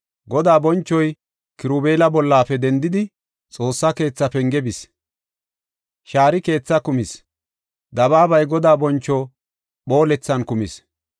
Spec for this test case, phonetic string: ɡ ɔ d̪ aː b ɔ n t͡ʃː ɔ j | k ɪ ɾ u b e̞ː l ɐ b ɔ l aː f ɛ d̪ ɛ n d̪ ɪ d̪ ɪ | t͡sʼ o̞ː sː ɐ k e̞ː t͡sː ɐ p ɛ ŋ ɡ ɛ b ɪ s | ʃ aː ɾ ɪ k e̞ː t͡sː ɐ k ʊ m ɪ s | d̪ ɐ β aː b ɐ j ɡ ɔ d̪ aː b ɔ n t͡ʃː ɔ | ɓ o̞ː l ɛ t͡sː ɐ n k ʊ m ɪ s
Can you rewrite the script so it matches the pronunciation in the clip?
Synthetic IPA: ɡ ɔ d̪ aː b ɔ n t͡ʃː ɔ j | k ɪ ɾ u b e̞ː l ɐ b ɔ lː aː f ɛ d̪ ɛ n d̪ ɪ d̪ ɪ | t͡sʼ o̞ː sː ɐ k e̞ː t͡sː ɐ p ɛ ŋ ɡ ɛ b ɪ s | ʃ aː ɾ ɪ k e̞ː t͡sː ɐ k ʊ m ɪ s | d̪ ɐ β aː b ɐ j ɡ ɔ d̪ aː b ɔ n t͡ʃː ɔ | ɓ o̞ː l ɛ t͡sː ɐ n k ʊ m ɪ s